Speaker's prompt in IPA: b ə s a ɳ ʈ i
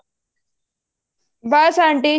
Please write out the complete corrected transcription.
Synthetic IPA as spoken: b a s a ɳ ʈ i